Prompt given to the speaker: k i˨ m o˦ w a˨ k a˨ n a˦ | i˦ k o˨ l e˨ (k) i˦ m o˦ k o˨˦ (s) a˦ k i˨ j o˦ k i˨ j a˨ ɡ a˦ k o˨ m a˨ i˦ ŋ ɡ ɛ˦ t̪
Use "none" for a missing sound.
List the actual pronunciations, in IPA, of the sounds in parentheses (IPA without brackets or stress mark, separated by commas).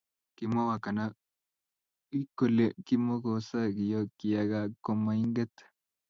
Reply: k, s